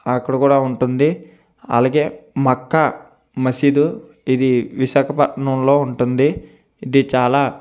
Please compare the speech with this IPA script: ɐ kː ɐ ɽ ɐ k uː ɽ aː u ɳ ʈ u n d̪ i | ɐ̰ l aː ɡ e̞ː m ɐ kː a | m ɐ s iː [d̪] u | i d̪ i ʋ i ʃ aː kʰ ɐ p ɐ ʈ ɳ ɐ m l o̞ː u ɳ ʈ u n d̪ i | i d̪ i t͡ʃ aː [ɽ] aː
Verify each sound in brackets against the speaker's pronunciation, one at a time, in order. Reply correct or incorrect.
correct, incorrect: l

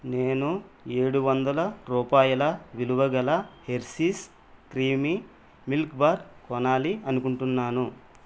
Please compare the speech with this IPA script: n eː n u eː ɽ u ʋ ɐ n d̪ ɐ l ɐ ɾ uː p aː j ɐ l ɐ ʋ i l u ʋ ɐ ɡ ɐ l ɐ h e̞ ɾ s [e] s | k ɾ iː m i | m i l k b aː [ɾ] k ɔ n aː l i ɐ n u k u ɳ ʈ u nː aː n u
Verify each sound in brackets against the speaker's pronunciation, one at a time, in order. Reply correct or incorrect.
incorrect: i, correct

